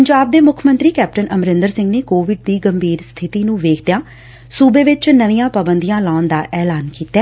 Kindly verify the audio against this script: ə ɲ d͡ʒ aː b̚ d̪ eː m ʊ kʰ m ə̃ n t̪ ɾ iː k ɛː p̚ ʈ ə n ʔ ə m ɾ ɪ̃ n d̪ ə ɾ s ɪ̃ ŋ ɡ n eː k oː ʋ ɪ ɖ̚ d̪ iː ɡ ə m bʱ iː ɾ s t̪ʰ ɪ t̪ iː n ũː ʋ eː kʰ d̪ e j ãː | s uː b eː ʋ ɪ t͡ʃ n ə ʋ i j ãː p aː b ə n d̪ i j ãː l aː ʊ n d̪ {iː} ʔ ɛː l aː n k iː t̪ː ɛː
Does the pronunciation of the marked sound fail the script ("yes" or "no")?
yes